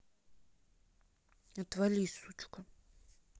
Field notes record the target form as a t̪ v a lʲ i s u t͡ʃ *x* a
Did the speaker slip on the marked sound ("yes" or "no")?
yes